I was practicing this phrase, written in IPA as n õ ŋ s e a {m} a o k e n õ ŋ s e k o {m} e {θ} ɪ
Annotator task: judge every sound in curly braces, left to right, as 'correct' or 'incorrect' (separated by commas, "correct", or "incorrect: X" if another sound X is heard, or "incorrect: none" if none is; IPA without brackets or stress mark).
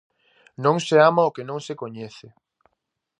correct, incorrect: ɲ, correct